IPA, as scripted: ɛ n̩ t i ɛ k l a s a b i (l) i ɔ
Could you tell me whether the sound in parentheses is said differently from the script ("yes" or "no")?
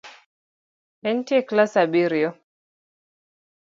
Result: yes